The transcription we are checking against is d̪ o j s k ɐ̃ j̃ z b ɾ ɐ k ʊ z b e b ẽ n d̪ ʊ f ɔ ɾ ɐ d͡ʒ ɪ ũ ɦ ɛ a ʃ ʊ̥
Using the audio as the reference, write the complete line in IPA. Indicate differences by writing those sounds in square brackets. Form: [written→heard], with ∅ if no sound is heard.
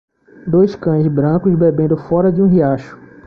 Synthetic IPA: d̪ o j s k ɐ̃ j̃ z b ɾ [ɐ→ɐ̃] k ʊ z b e b ẽ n d̪ ʊ f ɔ ɾ ɐ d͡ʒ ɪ ũ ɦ [ɛ→i] a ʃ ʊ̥